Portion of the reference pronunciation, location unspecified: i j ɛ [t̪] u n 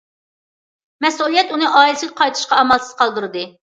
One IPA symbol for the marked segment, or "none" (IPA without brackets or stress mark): t̪